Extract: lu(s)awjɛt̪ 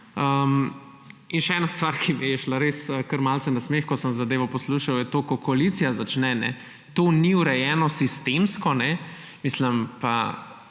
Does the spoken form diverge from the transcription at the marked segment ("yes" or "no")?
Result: yes